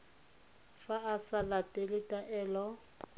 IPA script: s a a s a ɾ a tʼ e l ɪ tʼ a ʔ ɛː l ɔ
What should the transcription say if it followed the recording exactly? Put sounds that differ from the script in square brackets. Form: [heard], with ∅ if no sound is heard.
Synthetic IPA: [f] a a s a [l] a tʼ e l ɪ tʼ a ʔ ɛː l ɔ